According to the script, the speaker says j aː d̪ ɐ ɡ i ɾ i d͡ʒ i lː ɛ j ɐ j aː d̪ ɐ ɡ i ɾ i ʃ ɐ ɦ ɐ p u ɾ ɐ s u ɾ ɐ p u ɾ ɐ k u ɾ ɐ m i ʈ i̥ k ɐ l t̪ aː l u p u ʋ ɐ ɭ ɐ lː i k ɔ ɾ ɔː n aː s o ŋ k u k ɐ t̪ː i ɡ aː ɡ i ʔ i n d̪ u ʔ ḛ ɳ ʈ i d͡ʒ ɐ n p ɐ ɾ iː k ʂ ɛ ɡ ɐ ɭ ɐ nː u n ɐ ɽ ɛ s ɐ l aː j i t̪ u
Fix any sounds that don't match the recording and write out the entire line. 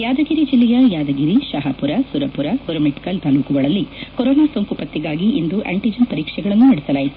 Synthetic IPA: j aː d̪ ɐ ɡ i ɾ i d͡ʒ i lː ɛ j ɐ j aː d̪ ɐ ɡ i ɾ i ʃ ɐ ɦ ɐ p u ɾ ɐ s u ɾ ɐ p u ɾ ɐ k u ɾ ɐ m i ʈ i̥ k ɐ l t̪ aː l u k u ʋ ɐ ɭ ɐ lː i k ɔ ɾ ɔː n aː s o ŋ k u p ɐ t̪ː i ɡ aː ɡ i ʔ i n d̪ u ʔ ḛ ɳ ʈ i d͡ʒ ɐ n p ɐ ɾ iː k ʂ ɛ ɡ ɐ ɭ ɐ nː u n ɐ ɽ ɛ s ɐ l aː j i t̪ u

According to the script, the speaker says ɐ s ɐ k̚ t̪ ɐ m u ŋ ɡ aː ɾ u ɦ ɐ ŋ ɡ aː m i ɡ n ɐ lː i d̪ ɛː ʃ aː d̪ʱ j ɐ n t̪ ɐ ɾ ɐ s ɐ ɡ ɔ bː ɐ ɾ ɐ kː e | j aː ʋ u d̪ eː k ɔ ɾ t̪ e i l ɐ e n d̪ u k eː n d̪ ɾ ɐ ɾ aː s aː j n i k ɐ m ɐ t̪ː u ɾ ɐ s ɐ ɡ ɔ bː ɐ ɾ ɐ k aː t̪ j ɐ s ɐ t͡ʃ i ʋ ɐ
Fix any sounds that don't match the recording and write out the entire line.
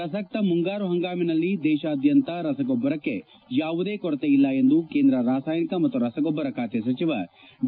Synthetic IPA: ɐ s ɐ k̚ t̪ ɐ m u ŋ ɡ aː ɾ u ɦ ɐ ŋ ɡ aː m i n ɐ lː i d̪ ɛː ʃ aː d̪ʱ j ɐ n t̪ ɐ ɾ ɐ s ɐ ɡ ɔ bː ɐ ɾ ɐ kː e | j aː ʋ u d̪ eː k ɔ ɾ t̪ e i lː ɐ e n d̪ u k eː n d̪ ɾ ɐ ɾ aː s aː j n i k ɐ m ɐ t̪ː u ɾ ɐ s ɐ ɡ ɔ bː ɐ ɾ ɐ k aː t̪ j ɐ s ɐ t͡ʃ i ʋ ɐ

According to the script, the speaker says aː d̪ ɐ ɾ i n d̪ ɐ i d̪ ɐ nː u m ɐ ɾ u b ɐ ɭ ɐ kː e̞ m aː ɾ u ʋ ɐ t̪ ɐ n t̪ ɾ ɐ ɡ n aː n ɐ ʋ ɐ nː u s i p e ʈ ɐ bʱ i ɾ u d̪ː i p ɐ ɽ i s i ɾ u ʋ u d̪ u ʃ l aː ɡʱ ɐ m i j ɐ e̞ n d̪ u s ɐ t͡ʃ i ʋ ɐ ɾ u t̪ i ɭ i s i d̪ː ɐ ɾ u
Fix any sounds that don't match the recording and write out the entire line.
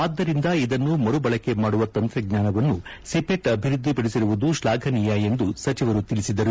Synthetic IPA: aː d̪ː ɐ ɾ i n d̪ ɐ i d̪ ɐ nː u m ɐ ɾ u b ɐ ɭ ɐ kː e̞ m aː ɽ u ʋ ɐ t̪ ɐ n t̪ ɾ ɐ ɡ ɲ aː n ɐ ʋ ɐ nː u s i p e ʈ ɐ bʱ i ɾ u d̪ː i p ɐ ɽ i s i ɾ u ʋ u d̪ u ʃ l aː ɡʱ ɐ n i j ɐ e̞ n d̪ u s ɐ t͡ʃ i ʋ ɐ ɾ u t̪ i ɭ i s i d̪ ɐ ɾ u

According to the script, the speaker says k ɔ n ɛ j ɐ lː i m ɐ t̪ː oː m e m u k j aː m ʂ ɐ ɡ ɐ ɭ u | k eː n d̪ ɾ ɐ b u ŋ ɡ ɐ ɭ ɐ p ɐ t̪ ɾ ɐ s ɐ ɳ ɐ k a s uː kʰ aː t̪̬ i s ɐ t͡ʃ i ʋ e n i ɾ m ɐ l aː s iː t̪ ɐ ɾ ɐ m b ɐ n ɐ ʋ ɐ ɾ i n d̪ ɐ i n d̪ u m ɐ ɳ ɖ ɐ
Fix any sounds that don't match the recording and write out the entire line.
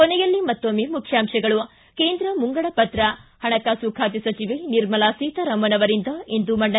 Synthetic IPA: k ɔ n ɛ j ɐ lː i m ɐ t̪ː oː m e m u kʰ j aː m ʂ ɐ ɡ ɐ ɭ u | k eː n d̪ ɾ ɐ m u ŋ ɡ ɐ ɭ ɐ p ɐ t̪ ɾ ɐ h ɐ ɳ ɐ k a s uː kʰ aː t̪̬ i s ɐ t͡ʃ i ʋ e n i ɾ m ɐ l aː s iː t̪ ɐ ɾ ɐ m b ɐ n ɐ ʋ ɐ ɾ i n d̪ ɐ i n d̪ u m ɐ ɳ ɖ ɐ

